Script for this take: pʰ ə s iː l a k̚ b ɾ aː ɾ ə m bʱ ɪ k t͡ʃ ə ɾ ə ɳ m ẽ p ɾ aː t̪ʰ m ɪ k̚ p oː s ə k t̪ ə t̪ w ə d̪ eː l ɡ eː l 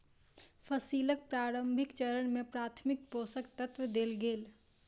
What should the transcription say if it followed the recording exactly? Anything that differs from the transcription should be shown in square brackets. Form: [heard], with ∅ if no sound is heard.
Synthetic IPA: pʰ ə s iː l [ə] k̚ [p] ɾ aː ɾ ə m bʱ ɪ k t͡ʃ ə ɾ ə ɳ m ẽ p ɾ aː t̪ʰ m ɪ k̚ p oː s ə k t̪ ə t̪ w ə d̪ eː l ɡ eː l